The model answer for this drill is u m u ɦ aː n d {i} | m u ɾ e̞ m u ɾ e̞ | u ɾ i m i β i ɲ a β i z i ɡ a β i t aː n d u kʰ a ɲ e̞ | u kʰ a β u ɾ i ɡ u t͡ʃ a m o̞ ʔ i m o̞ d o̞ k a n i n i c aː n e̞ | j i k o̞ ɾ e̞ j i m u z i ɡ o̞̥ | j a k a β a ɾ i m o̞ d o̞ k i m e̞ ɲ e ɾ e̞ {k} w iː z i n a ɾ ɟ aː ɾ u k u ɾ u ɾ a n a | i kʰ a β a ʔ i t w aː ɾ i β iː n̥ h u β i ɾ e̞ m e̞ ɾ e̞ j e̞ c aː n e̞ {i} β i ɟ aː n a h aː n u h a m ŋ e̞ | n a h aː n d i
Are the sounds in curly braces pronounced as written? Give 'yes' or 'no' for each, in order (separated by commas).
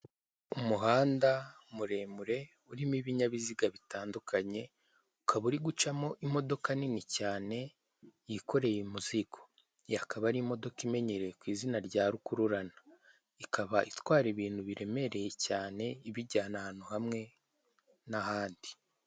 no, yes, yes